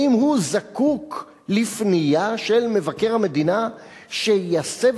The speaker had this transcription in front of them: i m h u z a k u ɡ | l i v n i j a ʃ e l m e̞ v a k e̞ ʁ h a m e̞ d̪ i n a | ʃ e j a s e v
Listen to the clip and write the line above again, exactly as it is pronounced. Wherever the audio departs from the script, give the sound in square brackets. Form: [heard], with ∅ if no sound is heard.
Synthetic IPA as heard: i m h u z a k u [k] | l i [f] n i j a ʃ e l m e̞ v a k e̞ ʁ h a m e̞ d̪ i n a | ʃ e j a s e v